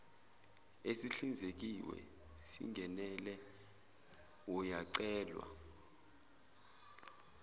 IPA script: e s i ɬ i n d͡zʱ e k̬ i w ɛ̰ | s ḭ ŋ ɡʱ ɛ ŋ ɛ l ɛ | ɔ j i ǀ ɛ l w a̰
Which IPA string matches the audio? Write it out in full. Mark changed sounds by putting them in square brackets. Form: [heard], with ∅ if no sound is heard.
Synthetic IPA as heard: e s i ɬ i n d͡zʱ e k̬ i w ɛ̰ | s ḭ ŋ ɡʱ ɛ [n] ɛ l ɛ | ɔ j [a] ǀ [ɛː] l w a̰

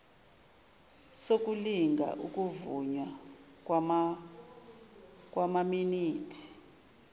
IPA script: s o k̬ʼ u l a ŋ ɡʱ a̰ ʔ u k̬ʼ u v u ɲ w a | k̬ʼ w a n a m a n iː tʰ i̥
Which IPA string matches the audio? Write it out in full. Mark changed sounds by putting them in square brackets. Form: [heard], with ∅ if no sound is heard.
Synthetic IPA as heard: s o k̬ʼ u l [i] ŋ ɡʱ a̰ ʔ u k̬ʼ u v u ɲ w a | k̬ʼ w a [m] a m [i] n iː tʰ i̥

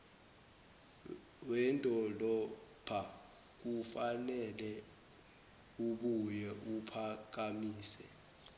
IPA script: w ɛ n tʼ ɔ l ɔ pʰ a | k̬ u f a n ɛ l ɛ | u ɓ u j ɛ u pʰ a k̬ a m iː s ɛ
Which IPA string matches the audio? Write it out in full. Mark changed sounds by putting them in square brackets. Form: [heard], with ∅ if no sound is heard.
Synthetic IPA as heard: w ɛ n tʼ ɔ l ɔ pʰ a | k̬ u f a n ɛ l ɛ | u ɓ u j ɛ u pʰ a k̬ a m iː s ɛ

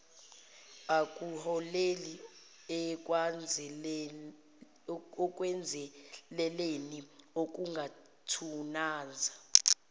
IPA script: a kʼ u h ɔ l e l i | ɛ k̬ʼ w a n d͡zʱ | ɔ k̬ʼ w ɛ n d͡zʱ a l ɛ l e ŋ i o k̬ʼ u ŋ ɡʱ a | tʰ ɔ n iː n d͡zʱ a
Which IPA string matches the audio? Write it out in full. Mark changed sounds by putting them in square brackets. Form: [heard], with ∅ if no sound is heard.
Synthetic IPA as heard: a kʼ u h ɔ l e l i | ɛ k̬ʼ w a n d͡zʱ | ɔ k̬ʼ w ɛ n d͡zʱ [ɛ] l ɛ l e [n] i o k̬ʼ u ŋ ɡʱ a | tʰ [u] n [aː] n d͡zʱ a

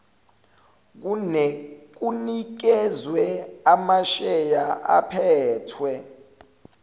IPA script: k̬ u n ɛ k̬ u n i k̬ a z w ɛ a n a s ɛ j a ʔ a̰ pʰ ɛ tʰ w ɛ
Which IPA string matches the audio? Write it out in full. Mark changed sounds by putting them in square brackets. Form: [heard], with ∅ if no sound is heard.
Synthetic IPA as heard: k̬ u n ɛ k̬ u n i k̬ [ɛ] z w ɛ a [m] a [ʃ] ɛ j a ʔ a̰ pʰ [ɛː] tʰ w ɛ

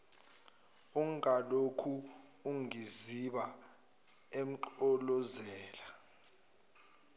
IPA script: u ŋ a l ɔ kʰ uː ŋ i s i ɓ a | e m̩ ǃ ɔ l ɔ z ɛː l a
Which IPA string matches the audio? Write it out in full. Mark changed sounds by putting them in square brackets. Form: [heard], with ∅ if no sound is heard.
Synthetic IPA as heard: u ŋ a l [o] kʰ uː ŋ i [z] i ɓ a | e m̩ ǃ ɔ l ɔ z ɛː l a

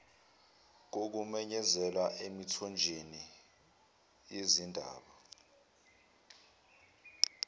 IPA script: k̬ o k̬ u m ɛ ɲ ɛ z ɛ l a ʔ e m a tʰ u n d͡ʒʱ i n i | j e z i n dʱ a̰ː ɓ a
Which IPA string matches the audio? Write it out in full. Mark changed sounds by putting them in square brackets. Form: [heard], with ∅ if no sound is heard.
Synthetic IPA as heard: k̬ o k̬ u m ɛ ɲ ɛ z ɛ l a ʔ e m [i] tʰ [ɔ] n d͡ʒʱ [e] n i | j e z i n dʱ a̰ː ɓ a

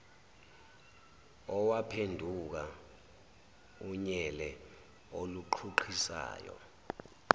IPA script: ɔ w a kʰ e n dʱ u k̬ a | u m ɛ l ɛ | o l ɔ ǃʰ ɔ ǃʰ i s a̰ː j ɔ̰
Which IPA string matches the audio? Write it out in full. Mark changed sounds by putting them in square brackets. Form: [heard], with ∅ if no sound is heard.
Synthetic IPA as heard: ɔ w a [pʰ] e n dʱ u k̬ a | u [ɲ] ɛ l ɛ | o l [u] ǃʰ [u] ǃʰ i s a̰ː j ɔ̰

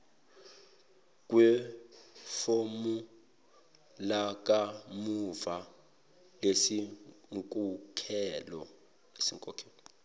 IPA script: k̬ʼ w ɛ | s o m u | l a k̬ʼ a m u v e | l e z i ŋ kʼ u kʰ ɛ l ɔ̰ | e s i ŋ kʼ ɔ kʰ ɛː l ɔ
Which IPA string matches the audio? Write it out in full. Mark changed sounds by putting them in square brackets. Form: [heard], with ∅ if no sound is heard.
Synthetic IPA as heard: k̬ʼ w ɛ | [f] o m u | l a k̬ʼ a m u v [a] | l e [s] i ŋ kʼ u kʰ ɛ l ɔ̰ | e s i ŋ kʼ ɔ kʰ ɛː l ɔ

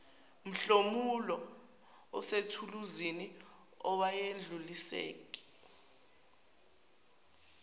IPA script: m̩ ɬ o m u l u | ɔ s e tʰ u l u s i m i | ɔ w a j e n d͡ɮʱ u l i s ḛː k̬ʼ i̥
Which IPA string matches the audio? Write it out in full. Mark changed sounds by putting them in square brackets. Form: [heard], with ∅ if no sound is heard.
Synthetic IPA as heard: m̩ ɬ o m u l [ɔ] | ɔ s e tʰ u l u [z] i [n] i | ɔ w a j e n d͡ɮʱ u l i s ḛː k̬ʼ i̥

